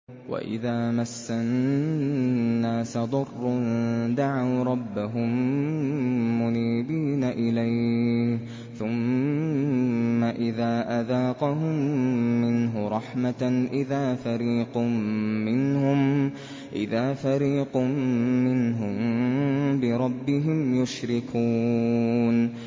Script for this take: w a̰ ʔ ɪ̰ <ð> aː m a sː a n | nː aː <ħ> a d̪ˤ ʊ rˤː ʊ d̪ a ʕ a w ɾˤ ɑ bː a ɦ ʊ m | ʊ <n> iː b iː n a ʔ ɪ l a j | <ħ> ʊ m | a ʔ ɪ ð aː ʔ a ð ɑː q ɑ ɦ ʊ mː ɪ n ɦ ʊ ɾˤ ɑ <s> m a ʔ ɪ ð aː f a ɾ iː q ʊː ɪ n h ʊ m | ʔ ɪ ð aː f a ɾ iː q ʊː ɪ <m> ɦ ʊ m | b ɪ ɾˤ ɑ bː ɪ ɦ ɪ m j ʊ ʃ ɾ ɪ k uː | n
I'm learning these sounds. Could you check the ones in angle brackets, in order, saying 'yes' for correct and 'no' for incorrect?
yes, no, yes, no, no, no

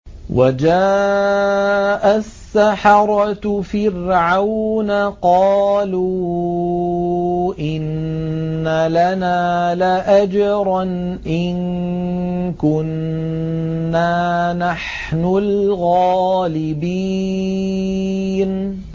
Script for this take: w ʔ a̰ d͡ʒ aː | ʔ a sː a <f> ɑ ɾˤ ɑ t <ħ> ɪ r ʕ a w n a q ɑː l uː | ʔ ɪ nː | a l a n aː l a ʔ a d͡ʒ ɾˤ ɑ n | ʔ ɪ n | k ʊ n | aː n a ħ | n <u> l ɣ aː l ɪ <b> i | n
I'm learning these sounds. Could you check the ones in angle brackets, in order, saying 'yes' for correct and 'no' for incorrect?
no, no, no, yes

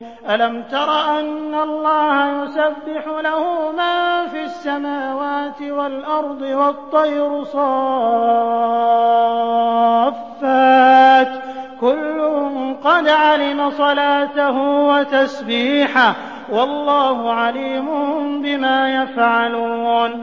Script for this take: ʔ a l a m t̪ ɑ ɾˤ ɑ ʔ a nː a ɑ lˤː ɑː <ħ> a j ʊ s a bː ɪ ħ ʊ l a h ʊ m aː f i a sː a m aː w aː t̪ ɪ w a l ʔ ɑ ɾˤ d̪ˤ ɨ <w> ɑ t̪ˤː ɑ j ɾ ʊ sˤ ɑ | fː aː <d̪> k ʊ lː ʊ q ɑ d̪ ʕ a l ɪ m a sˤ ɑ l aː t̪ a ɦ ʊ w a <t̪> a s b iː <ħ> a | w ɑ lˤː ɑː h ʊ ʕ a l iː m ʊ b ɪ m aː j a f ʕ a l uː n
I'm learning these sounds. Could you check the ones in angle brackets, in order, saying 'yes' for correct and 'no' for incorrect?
no, yes, no, yes, yes

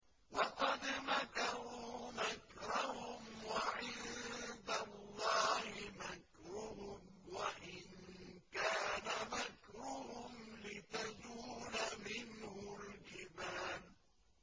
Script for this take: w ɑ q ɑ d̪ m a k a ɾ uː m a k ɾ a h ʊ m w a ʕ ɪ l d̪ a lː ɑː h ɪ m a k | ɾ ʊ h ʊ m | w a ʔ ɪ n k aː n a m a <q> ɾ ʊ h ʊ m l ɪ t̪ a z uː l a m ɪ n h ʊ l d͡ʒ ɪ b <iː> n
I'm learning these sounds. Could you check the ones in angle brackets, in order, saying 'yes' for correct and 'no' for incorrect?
no, no

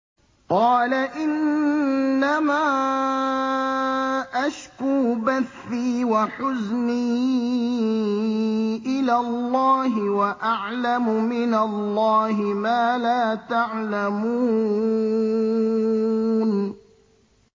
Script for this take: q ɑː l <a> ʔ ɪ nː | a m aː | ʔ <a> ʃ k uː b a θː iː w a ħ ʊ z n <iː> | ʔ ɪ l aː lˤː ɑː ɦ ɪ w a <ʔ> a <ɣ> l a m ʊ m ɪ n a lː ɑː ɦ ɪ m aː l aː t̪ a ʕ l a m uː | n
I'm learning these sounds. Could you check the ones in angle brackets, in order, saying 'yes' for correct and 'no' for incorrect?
yes, yes, yes, yes, no

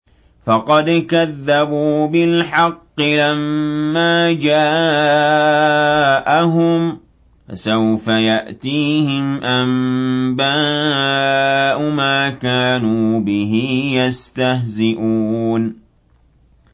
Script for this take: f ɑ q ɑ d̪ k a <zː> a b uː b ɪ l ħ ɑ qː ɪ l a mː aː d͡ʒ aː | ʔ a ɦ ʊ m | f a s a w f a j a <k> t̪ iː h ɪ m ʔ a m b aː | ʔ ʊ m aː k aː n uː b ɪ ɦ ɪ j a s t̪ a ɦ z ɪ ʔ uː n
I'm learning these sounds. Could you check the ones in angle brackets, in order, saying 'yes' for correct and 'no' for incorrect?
no, no

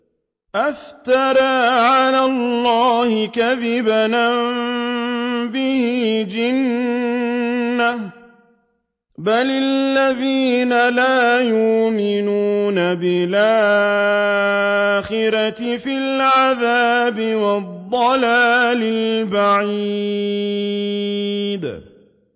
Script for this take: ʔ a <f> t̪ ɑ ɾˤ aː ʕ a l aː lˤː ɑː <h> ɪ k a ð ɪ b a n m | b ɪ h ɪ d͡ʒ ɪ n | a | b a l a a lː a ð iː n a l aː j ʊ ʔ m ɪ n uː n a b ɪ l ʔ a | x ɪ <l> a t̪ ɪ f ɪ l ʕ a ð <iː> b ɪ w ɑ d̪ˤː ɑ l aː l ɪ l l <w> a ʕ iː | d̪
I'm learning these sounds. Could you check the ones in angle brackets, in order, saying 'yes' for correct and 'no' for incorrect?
yes, yes, no, no, no

